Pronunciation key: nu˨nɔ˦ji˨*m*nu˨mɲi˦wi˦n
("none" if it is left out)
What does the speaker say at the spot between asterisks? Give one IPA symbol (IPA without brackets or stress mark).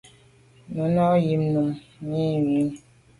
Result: m